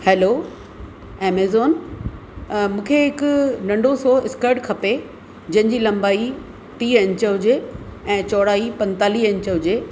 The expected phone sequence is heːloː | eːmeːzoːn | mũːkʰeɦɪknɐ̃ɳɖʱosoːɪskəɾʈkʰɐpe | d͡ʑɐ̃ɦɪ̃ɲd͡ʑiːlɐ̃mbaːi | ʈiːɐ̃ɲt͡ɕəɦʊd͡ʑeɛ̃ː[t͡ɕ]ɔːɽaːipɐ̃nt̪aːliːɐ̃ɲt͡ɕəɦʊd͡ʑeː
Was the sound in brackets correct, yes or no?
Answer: yes